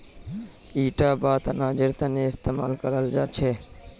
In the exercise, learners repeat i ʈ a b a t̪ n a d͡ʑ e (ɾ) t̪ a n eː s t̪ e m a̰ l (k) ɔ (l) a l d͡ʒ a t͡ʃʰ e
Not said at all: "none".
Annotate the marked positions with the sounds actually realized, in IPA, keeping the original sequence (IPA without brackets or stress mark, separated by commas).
ɾ, k, ɾ